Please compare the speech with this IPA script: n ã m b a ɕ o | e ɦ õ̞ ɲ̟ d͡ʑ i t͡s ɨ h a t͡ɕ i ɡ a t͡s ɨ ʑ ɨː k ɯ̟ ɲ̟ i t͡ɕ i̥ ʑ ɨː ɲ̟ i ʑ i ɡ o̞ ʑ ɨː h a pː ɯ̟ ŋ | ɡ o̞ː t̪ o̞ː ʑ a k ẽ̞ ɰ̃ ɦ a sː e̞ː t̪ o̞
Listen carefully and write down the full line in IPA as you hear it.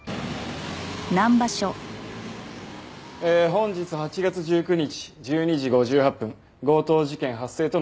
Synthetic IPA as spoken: n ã m b a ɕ o | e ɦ õ̞ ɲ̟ d͡ʑ i t͡s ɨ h a t͡ɕ i ɡ a t͡s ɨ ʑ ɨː k ɯ̟ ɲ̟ i t͡ɕ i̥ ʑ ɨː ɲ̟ i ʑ i ɡ o̞ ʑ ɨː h a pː ɯ̟̃ ŋ | ɡ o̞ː t̪ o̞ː ʑ i k ẽ̞ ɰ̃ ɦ a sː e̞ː t̪ o̞